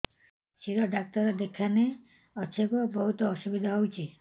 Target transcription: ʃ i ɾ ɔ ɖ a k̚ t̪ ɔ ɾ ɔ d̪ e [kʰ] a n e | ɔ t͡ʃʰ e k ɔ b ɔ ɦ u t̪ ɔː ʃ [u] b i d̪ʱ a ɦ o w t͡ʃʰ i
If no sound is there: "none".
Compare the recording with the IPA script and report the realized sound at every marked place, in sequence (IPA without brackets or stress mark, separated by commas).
kʰ, u